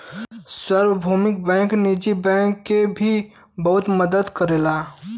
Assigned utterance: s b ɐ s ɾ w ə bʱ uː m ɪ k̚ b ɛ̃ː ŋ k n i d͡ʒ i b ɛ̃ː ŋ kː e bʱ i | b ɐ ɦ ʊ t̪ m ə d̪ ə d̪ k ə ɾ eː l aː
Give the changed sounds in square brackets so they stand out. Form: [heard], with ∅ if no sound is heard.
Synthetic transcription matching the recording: s [w] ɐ [∅] ɾ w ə bʱ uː m ɪ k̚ b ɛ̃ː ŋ k n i d͡ʒ i b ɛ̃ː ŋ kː e bʱ i | b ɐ ɦ ʊ t̪ m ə d̪ ə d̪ k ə ɾ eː l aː